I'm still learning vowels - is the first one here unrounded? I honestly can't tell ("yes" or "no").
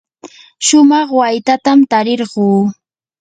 no